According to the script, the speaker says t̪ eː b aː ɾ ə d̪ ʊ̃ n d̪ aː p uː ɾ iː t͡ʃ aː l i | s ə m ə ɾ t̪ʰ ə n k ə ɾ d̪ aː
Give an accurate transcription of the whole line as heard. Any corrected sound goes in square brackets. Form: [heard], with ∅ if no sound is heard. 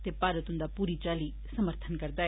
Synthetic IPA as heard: t̪ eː [p] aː ɾ ə [t̪] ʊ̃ n d̪ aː p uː ɾ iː t͡ʃ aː l i | s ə m ə ɾ t̪ʰ ə n k ə ɾ d̪ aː

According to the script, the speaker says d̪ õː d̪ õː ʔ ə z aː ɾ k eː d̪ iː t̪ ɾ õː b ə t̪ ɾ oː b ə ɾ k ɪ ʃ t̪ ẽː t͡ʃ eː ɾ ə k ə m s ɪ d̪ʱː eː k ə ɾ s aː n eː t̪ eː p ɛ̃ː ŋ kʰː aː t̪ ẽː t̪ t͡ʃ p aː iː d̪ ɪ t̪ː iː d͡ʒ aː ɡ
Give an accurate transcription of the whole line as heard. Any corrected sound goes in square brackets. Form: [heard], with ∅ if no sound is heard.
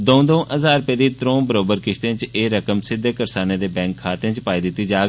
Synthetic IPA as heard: d̪ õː d̪ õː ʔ ə z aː ɾ [p] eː d̪ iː t̪ ɾ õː b ə [∅] ɾ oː b ə ɾ k ɪ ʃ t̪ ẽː t͡ʃ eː ɾ ə k ə m s ɪ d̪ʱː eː k ə ɾ s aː n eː [d̪] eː [b] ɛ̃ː ŋ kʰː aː t̪ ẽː [∅] t͡ʃ p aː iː d̪ ɪ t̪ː iː d͡ʒ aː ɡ

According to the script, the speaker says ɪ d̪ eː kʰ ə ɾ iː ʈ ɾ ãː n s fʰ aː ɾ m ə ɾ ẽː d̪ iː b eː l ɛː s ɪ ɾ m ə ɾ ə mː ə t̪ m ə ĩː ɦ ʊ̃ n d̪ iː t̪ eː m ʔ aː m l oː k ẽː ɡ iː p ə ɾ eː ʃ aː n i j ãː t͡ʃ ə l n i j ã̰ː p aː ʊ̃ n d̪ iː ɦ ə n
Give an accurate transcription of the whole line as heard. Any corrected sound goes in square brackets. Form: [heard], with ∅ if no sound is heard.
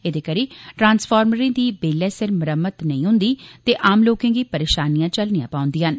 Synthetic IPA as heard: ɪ d̪ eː [k] ə ɾ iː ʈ ɾ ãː n s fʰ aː ɾ m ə ɾ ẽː d̪ iː b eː l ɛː s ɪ ɾ m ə ɾ ə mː ə t̪ [n] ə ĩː ɦ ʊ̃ n d̪ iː t̪ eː [∅] ʔ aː m l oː k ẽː ɡ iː p ə ɾ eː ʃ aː n i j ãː t͡ʃ ə l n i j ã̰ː p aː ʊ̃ n d̪ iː ɦ ə n

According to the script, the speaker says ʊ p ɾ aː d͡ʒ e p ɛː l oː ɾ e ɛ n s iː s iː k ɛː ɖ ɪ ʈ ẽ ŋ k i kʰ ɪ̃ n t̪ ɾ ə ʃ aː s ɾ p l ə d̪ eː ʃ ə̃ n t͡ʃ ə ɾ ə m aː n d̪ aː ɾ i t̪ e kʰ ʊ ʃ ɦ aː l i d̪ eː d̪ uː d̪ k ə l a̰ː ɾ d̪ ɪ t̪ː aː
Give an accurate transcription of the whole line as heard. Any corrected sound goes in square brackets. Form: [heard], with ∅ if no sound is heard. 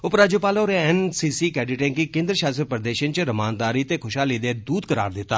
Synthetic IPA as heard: ʊ p ɾ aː d͡ʒ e p [aː] l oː ɾ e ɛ n s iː s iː k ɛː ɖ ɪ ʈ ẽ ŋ k i [k] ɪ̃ n [d̪] ɾ ə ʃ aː s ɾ p [ɾ] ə d̪ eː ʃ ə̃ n t͡ʃ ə ɾ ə m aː n d̪ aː ɾ i t̪ e kʰ ʊ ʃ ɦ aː l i d̪ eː d̪ uː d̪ k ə [ɾ] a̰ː ɾ d̪ ɪ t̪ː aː

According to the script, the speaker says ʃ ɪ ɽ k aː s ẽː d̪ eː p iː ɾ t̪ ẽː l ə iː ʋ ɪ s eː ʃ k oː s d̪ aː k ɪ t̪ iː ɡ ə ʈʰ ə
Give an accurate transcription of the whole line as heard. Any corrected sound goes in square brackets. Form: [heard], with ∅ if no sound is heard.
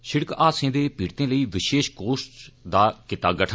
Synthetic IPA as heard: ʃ ɪ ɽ k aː s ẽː d̪ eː p iː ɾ t̪ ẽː l ə iː ʋ ɪ [ʃ] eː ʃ k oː s d̪ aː k ɪ t̪ [aː] ɡ ə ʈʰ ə

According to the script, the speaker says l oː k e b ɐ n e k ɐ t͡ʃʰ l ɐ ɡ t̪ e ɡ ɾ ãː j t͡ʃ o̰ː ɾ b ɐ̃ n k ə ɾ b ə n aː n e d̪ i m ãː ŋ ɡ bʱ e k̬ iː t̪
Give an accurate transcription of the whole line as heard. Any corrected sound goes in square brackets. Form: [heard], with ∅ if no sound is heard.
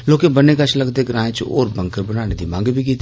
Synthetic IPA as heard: l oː k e b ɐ n e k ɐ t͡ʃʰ l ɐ ɡ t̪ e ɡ ɾ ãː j t͡ʃ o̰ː ɾ b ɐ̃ [ŋ] k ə ɾ b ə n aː n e d̪ i m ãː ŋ ɡ bʱ [i] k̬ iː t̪

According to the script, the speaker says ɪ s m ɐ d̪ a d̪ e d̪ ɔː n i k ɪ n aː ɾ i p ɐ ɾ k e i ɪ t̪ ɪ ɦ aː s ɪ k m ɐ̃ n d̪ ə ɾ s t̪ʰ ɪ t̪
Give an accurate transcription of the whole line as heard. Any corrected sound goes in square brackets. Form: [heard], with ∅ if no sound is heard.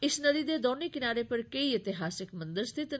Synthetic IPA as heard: ɪ s [n] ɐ d̪ [i] d̪ e d̪ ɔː n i k ɪ n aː ɾ [e] p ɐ ɾ k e i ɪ t̪ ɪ ɦ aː s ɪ k m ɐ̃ n d̪ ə ɾ s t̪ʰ ɪ t̪

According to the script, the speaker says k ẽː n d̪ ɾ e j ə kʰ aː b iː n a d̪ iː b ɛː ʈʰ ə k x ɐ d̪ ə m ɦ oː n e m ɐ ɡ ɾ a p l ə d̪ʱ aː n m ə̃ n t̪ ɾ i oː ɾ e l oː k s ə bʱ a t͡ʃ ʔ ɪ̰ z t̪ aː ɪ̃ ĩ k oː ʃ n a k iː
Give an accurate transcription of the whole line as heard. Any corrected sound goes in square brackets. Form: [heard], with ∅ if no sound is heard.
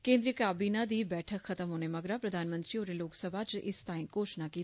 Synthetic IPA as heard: k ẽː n d̪ ɾ [i] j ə [k] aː b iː n a d̪ iː b ɛː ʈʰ ə k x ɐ [t̪] ə m ɦ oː n e m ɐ ɡ ɾ a p [ɾ] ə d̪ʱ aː n m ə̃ n t̪ ɾ i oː ɾ e l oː k s ə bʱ a t͡ʃ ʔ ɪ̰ [s] t̪ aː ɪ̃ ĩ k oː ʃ n a k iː

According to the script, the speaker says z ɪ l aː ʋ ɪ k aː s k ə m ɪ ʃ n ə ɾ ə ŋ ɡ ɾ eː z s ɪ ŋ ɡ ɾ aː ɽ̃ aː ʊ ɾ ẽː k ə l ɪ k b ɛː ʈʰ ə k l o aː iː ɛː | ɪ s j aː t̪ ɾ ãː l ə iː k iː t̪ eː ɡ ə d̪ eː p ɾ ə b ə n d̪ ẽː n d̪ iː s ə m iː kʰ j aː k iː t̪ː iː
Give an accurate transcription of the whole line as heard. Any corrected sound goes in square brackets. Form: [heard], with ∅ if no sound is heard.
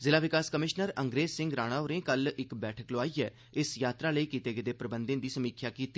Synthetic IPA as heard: z ɪ l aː ʋ ɪ k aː s k ə m ɪ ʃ n ə ɾ ə ŋ ɡ ɾ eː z s ɪ ŋ ɡ ɾ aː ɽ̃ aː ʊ ɾ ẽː k ə l ɪ k b ɛː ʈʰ ə k l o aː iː ɛː | ɪ s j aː t̪ ɾ [aː] l ə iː k iː t̪ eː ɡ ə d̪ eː p ɾ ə b ə n d̪ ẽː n d̪ iː s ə m iː kʰ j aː k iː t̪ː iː

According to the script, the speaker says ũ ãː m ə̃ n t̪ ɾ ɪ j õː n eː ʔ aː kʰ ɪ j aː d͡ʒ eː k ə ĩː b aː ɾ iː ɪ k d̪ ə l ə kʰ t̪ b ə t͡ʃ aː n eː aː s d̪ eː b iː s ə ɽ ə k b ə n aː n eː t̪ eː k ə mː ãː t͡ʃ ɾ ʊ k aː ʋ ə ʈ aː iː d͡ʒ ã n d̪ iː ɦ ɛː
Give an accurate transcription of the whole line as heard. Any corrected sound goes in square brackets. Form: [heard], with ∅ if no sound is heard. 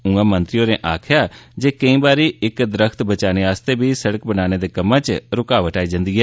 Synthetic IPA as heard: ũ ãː m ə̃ n t̪ ɾ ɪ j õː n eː ʔ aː kʰ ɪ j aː d͡ʒ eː k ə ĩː b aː ɾ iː ɪ k d̪ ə [ɾ] ə kʰ t̪ b ə t͡ʃ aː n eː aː s [t̪] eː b iː s ə ɽ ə k b ə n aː n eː [d̪] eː k ə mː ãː t͡ʃ ɾ ʊ k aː ʋ ə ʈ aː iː d͡ʒ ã n d̪ iː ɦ ɛː

